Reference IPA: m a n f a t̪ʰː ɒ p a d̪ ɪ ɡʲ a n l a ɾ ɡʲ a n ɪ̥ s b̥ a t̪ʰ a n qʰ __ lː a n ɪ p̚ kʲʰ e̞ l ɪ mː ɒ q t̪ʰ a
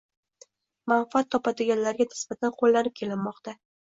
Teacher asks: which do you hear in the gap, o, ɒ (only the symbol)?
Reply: o